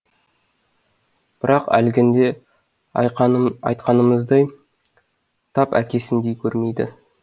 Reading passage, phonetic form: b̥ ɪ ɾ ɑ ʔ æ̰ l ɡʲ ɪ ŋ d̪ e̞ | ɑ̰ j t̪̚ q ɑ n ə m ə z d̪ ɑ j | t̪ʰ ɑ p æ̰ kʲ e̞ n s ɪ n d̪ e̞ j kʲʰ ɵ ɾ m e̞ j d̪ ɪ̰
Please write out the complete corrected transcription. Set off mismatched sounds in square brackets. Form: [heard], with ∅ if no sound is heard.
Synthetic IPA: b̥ ɪ ɾ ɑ [q] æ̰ l ɡʲ ɪ [n] d̪ e̞ | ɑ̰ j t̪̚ q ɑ n ə m ə z d̪ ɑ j | t̪ʰ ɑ p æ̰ kʲ e̞ [∅] s ɪ n d̪ e̞ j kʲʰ ɵ ɾ m e̞ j d̪ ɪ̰